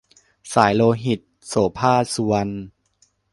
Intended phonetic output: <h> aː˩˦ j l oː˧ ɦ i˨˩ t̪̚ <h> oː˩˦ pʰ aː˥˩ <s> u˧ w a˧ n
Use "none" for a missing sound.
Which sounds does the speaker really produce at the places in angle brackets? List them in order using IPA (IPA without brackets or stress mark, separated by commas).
s, s, s